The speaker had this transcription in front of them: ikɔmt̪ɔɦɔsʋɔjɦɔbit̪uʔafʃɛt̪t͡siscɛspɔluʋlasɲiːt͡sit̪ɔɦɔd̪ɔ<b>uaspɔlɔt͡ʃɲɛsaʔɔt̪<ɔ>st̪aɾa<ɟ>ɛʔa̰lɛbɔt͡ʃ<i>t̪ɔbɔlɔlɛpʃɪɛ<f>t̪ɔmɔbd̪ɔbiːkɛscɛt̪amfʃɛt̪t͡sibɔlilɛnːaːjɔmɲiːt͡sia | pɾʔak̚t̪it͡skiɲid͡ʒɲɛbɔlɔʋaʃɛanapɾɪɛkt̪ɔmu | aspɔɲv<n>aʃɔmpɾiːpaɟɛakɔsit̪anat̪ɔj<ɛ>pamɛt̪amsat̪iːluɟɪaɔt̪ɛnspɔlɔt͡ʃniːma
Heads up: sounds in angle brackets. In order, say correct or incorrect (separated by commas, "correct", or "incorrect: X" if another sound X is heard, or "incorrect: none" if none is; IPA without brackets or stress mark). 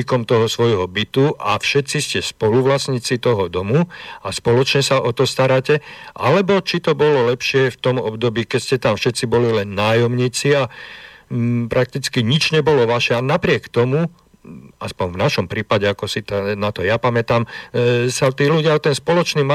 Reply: incorrect: m, correct, incorrect: c, correct, correct, correct, incorrect: a